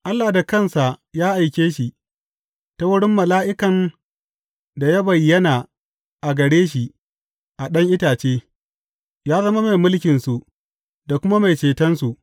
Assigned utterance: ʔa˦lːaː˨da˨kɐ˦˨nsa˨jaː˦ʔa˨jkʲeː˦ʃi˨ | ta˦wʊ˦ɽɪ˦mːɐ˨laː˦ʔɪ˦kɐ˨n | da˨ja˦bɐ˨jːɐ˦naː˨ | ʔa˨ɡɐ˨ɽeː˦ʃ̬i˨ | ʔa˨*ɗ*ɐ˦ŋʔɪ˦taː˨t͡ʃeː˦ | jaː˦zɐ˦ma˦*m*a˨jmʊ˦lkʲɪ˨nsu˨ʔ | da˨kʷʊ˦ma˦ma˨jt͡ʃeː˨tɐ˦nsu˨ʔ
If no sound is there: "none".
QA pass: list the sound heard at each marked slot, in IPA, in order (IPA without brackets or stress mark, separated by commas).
ɗ, m